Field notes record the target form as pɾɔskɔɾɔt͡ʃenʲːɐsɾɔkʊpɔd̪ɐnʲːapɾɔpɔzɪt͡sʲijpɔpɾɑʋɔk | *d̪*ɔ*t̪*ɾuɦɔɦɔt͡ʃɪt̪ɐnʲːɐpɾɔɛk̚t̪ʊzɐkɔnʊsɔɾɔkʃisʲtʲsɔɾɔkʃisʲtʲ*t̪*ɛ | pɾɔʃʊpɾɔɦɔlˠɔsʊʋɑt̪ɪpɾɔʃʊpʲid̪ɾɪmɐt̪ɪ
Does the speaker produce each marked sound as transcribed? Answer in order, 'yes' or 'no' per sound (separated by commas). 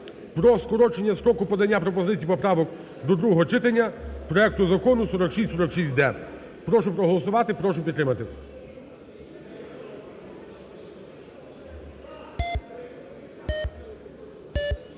yes, no, no